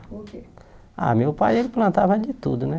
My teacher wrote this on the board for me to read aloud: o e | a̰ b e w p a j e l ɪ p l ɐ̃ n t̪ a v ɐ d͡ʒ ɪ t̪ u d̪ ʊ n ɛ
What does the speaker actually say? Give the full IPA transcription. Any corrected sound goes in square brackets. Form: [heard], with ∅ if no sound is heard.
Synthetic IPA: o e | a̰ [m] e w p a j e l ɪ p l ɐ̃ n t̪ a v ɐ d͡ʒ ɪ t̪ u d̪ ʊ n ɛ